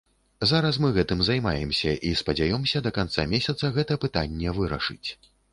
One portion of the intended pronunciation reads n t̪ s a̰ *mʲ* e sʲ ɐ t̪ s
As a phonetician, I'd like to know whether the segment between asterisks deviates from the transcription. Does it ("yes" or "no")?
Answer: no